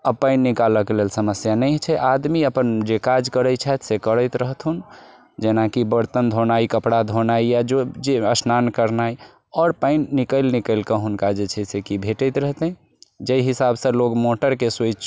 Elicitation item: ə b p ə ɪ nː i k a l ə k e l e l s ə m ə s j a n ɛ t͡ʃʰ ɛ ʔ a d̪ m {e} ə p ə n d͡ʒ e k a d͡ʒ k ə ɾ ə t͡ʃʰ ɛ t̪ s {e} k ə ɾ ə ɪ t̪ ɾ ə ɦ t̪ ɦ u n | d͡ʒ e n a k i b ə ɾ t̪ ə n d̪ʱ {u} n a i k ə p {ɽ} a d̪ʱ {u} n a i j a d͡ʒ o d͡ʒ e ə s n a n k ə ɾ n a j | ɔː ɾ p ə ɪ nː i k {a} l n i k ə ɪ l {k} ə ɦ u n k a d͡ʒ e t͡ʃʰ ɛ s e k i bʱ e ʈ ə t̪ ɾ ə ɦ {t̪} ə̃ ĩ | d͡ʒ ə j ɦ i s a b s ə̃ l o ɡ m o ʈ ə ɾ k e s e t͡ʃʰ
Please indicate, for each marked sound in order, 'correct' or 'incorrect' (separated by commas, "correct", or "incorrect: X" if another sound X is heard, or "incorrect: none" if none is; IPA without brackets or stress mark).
incorrect: i, correct, incorrect: o, correct, incorrect: o, incorrect: ə, correct, correct